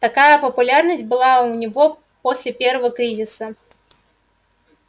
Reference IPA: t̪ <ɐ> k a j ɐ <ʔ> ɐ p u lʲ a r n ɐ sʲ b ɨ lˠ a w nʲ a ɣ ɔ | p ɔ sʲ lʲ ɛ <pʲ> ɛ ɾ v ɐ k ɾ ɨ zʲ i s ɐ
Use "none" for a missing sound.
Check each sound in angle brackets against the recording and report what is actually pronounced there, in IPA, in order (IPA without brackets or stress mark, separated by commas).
a, p, pʲ